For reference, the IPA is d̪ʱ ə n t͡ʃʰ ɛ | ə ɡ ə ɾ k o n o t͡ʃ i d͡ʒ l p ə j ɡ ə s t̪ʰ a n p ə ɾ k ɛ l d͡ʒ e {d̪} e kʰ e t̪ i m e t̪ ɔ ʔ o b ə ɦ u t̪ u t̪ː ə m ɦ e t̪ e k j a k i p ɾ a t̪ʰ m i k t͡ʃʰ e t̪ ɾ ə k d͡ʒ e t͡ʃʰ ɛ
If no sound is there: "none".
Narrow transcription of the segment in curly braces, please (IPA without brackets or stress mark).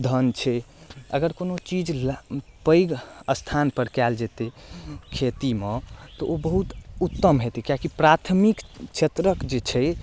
t̪